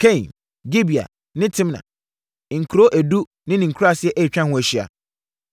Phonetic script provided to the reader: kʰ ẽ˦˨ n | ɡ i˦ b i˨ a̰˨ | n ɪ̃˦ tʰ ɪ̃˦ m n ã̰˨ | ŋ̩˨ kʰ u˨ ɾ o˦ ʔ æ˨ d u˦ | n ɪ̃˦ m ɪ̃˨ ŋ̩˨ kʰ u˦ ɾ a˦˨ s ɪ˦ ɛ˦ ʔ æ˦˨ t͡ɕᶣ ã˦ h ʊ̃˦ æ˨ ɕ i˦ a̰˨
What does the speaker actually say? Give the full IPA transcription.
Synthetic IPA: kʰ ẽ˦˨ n | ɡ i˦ b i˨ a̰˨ | n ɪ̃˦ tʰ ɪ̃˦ m n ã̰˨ | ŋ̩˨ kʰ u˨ ɾ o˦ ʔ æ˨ d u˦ | n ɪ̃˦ n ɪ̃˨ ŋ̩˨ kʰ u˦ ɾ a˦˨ s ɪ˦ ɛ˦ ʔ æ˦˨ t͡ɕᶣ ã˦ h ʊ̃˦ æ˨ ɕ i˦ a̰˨